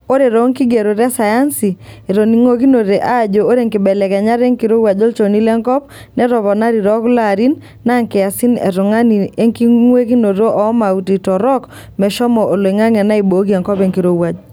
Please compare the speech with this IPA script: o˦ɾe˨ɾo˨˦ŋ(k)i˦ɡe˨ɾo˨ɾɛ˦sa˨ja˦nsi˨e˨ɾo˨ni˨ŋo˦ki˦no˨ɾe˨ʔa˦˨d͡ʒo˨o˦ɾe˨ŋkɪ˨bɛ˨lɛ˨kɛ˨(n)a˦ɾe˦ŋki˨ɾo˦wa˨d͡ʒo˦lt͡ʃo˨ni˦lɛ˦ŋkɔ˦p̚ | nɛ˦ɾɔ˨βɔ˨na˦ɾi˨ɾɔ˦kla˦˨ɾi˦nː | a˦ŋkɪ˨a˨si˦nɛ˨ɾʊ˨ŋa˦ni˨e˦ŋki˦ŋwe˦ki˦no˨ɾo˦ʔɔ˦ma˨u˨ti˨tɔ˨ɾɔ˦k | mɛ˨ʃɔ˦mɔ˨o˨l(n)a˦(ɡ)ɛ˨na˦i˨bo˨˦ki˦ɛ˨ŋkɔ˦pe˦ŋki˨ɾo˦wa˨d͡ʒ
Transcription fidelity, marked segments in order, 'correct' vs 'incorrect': correct, incorrect, incorrect, incorrect

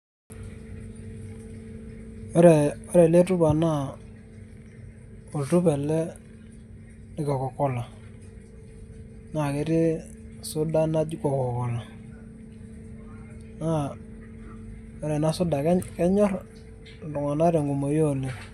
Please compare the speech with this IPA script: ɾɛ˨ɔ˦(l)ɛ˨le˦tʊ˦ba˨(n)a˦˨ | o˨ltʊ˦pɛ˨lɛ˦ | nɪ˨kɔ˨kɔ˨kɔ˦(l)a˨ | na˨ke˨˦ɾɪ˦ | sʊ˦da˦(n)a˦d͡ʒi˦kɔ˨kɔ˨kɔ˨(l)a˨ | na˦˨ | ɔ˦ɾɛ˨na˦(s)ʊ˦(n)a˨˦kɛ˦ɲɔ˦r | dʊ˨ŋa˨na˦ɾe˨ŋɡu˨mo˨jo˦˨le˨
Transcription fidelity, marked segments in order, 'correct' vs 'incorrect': incorrect, correct, correct, correct, correct, correct, incorrect

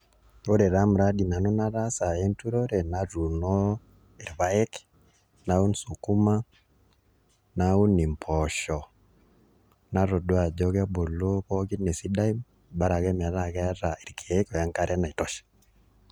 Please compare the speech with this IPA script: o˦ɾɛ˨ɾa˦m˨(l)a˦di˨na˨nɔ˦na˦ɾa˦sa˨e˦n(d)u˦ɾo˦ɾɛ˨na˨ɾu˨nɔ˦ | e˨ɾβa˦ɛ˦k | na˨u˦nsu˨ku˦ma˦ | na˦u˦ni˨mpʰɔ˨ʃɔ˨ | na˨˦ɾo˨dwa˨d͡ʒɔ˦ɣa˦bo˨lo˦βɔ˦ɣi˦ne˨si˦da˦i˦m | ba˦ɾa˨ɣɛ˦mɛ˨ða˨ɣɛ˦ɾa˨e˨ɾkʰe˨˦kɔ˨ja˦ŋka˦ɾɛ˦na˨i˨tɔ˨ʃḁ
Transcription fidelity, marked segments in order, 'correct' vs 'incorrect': incorrect, incorrect

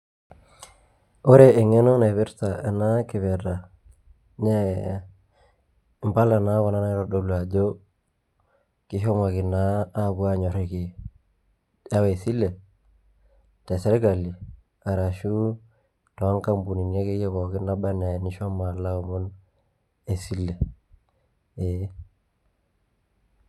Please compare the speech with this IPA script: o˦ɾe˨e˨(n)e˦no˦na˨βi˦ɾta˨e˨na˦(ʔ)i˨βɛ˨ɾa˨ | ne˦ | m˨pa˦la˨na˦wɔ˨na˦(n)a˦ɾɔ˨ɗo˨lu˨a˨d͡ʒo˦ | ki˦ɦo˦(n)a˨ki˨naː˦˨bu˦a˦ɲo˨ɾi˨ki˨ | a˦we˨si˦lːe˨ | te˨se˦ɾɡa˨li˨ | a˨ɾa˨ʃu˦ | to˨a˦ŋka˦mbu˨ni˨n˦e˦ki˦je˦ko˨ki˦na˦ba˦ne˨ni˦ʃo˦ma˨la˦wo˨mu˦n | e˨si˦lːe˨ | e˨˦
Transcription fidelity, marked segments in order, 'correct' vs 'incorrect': incorrect, incorrect, correct, incorrect

